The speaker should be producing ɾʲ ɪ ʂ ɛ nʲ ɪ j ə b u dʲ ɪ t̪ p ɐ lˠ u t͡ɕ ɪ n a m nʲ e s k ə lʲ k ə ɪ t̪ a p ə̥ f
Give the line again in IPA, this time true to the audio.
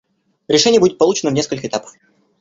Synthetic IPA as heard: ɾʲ ɪ ʂ ɛ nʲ ɪ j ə b u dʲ ɪ t̪ p ɐ lˠ u t͡ɕ ɪ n ə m nʲ e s k ə lʲ k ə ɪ t̪ a p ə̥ f